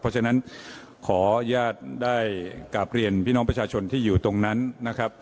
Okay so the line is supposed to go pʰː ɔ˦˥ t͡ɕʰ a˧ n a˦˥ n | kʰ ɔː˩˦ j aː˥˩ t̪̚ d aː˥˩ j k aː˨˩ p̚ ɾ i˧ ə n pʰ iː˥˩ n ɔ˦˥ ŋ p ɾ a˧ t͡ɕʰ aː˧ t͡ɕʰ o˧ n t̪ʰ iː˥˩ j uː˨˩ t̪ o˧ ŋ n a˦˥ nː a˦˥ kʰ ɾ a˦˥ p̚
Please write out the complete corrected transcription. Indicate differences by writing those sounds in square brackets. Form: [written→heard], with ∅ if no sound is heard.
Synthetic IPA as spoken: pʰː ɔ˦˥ t͡ɕʰ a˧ n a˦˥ n | kʰ ɔː˩˦ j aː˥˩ t̪̚ d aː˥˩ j k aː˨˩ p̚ ɾ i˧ ə n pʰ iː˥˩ n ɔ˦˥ ŋ p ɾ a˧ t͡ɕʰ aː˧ t͡ɕʰ o˧ n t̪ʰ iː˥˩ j uː˨˩ t̪ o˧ ŋ n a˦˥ nː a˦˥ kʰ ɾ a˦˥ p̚